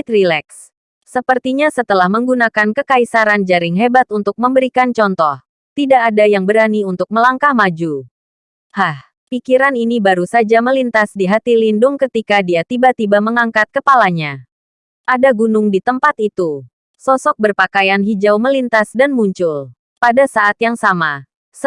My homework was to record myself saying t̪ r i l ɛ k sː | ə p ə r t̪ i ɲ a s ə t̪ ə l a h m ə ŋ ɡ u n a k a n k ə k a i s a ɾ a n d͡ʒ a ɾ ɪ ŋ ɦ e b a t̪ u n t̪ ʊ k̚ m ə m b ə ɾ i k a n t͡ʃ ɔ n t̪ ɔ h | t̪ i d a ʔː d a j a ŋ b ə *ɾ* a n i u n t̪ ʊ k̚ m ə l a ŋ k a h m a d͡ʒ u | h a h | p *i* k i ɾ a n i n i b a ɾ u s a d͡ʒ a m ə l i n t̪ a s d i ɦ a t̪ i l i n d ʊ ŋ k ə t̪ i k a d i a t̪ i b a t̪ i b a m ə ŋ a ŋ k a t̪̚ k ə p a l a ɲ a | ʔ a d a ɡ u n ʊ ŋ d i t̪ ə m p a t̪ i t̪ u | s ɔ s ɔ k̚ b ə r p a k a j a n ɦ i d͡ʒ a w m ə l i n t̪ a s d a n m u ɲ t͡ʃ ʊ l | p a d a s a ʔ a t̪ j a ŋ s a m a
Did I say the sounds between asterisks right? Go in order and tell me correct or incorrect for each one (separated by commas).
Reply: correct, correct